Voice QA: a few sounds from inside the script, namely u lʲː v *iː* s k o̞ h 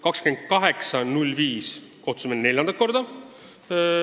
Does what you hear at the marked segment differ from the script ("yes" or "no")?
no